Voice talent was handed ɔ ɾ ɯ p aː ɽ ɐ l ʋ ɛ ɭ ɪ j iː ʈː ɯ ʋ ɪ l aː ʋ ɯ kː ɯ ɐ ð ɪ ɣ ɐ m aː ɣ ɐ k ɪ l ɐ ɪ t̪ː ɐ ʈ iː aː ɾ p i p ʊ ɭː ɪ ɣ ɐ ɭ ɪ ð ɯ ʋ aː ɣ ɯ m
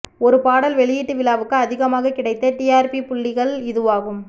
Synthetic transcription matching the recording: ɔ ɾ ɯ p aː ɽ ɐ l ʋ ɛ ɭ ɪ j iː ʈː ɯ ʋ ɪ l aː ʋ ɯ kː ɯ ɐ ð ɪ ɣ ɐ m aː ɣ ɐ k ɪ ɽ ɐ ɪ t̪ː ɐ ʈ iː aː ɾ p i p ʊ ɭː ɪ ɣ ɐ ɭ ɪ ð ɯ ʋ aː ɣ ɯ m

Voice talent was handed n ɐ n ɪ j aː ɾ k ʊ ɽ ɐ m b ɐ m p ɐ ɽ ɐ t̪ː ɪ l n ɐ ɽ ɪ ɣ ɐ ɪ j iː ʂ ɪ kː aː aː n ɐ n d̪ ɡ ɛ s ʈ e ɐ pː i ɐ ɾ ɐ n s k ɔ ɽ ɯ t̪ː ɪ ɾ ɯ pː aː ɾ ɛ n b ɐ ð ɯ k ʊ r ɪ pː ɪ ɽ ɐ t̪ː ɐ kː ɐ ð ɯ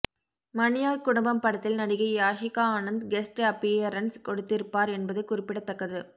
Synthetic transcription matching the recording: m ɐ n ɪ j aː ɾ k ʊ ɽ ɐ m b ɐ m p ɐ ɽ ɐ t̪ː ɪ l n ɐ ɽ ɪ ɣ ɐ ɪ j aː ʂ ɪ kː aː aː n ɐ n d̪ ɡ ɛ s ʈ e ɐ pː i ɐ ɾ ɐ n s k ɔ ɽ ɯ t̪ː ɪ ɾ ɯ pː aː ɾ ɛ n b ɐ ð ɯ k ʊ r ɪ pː ɪ ɽ ɐ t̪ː ɐ kː ɐ ð ɯ

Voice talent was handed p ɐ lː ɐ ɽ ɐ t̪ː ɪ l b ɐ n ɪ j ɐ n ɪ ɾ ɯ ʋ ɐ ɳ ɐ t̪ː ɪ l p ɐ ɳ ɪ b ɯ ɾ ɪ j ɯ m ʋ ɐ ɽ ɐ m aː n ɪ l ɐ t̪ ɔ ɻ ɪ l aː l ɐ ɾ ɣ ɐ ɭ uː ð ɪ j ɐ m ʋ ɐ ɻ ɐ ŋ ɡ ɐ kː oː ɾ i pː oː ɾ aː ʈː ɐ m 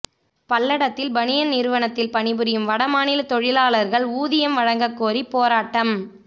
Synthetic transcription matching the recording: p ɐ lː ɐ ɽ ɐ t̪ː ɪ l b ɐ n ɪ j ɐ n ɪ ɾ ɯ ʋ ɐ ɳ ɐ t̪ː ɪ l p ɐ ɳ ɪ b ɯ ɾ ɪ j ɯ m ʋ ɐ ɽ ɐ m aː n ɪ l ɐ t̪ ɔ ɻ ɪ l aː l ɐ ɾ ɣ ɐ ɭ uː ð ɪ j ɐ m ʋ ɐ ɻ ɐ ŋ ɡ ɐ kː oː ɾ i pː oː ɾ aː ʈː ɐ m

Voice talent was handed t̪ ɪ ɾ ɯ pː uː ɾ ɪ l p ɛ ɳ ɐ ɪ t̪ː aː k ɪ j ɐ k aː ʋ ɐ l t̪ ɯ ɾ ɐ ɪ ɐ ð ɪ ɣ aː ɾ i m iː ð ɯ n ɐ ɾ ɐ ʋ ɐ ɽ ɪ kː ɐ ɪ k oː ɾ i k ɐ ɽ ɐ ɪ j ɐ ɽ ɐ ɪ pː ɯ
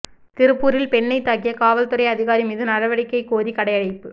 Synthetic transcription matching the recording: t̪ ɪ ɾ ɯ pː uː ɾ ɪ l p ɛ ɳː ɐ ɪ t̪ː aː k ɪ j ɐ k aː ʋ ɐ l t̪ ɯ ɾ ɐ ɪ ɐ ð ɪ ɣ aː ɾ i m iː ð ɯ n ɐ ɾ ɐ ʋ ɐ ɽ ɪ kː ɐ ɪ k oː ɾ i k ɐ ɽ ɐ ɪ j ɐ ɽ ɐ ɪ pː ɯ

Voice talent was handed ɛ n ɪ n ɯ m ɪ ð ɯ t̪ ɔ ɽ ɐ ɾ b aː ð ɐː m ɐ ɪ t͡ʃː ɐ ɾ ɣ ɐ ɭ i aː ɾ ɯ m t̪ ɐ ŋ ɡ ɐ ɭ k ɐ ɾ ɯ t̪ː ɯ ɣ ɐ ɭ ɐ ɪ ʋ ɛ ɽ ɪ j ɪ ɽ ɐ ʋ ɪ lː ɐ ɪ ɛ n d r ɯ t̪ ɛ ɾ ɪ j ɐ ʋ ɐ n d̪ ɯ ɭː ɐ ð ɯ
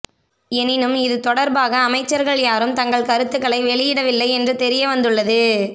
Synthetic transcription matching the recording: ɛ n ɪ n ɯ m ɪ ð ɯ t̪ ɔ ɽ ɐ ɾ b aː ɣ ɐː m ɐ ɪ t͡ʃː ɐ ɾ ɣ ɐ ɭ j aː ɾ ɯ m t̪ ɐ ŋ ɡ ɐ ɭ k ɐ ɾ ɯ t̪ː ɯ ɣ ɐ ɭ ɐ ɪ ʋ ɛ ɭ ɪ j ɪ ɽ ɐ ʋ ɪ lː ɐ ɪ ɛ n d r ɯ t̪ ɛ ɾ ɪ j ɐ ʋ ɐ n d̪ ɯ ɭː ɐ ð ɯ

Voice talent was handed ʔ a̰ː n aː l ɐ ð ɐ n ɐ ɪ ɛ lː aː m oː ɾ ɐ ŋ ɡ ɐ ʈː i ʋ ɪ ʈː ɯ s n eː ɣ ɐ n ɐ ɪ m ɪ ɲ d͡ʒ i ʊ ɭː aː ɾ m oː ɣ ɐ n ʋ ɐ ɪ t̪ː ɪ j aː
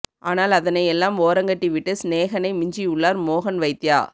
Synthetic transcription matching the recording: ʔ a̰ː n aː l ɐ ð ɐ n ɐ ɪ ɛ lː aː m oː ɾ ɐ ŋ ɡ ɐ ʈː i ʋ ɪ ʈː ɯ s n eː ɣ ɐ n ɐ ɪ m ɪ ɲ d͡ʒ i ʊ ɭː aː ɾ m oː ɣ ɐ n ʋ ɐ ɪ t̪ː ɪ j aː

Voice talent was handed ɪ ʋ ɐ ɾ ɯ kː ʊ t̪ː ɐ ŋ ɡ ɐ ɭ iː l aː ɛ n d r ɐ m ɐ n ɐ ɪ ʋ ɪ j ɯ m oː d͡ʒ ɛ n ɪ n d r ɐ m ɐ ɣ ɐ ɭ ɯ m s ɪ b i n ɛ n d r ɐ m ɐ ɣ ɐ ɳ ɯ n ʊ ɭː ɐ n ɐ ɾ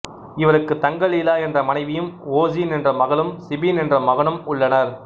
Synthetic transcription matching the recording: ɪ ʋ ɐ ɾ ɯ kː ɯ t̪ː ɐ ŋ ɡ ɐ ɭ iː l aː ɛ n d r ɐ m ɐ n ɐ ɪ ʋ ɪ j ɯ m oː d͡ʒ i n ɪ n d r ɐ m ɐ ɣ ɐ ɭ ɯ m s ɪ b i n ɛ n d r ɐ m ɐ ɣ ɐ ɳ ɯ m ʊ ɭː ɐ n ɐ ɾ

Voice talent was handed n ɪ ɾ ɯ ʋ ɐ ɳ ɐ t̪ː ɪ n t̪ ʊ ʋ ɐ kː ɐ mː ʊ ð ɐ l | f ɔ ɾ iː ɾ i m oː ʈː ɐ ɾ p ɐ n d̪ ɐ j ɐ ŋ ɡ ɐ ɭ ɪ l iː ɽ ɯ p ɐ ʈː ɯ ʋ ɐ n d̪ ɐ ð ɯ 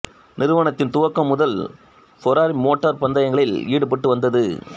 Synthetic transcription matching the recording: n ɪ ɾ ɯ ʋ ɐ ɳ ɐ t̪ː ɪ n t̪ ʊ ʋ ɐ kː ɐ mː ʊ ð ɐ l | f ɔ ɾ aː ɾ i m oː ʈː ɐ ɾ p ɐ n d̪ ɐ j ɐ ŋ ɡ ɐ ɭ ɪ l iː ɽ ɯ p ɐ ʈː ɯ ʋ ɐ n d̪ ɐ ð ɯ

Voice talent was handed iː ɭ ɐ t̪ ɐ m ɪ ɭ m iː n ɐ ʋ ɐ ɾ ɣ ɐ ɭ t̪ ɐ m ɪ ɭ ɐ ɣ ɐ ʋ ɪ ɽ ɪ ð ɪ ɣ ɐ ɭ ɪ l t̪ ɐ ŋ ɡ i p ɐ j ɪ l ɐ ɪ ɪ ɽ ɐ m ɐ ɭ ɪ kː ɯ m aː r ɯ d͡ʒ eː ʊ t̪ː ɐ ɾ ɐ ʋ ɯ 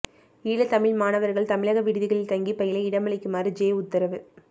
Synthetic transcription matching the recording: iː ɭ ɐ t̪ ɐ m ɪ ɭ m aː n ɐ ʋ ɐ ɾ ɣ ɐ ɭ t̪ ɐ m ɪ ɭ ɐ ɣ ɐ ʋ ɪ ɽ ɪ ð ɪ ɣ ɐ ɭ ɪ l t̪ ɐ ŋ ɡ i p ɐ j ɪ l ɐ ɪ ɪ ɽ ɐ m ɐ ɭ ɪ kː ɯ m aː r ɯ d͡ʒ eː ʊ t̪ː ɐ ɾ ɐ ʋ ɯ

